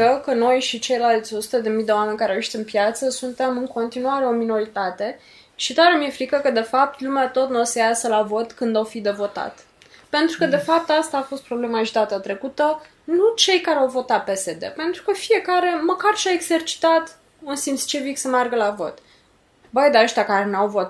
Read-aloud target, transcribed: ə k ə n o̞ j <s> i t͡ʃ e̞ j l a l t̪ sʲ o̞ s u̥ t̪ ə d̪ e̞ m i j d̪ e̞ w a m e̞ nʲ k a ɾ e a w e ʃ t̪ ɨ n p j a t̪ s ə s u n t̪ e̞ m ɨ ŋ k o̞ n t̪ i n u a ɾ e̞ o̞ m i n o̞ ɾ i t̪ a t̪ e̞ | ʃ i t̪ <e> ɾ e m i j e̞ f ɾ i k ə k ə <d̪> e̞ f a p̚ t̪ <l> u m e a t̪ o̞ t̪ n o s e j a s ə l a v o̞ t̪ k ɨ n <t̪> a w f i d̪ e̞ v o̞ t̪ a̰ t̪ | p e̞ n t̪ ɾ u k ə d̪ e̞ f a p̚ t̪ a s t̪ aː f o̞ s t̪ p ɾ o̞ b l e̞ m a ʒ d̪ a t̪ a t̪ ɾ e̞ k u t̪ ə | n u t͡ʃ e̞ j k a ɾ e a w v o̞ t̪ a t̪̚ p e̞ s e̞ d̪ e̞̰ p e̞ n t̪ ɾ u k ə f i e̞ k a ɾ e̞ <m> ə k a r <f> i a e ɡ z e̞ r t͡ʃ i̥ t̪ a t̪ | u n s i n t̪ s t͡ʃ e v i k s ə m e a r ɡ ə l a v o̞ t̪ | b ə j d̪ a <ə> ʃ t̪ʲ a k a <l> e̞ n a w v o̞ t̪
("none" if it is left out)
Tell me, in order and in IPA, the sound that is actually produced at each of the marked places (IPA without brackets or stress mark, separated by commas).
ʃ, a, d̪, l, d̪, m, ʃ, ə, ɾ